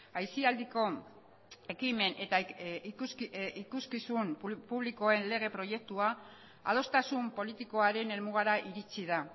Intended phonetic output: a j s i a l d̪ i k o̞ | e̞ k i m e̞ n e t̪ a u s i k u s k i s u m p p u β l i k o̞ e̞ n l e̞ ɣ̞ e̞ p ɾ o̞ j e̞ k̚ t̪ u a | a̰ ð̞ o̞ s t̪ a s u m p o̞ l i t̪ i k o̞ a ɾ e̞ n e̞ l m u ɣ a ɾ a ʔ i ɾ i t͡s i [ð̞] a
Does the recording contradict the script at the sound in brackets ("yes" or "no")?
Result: no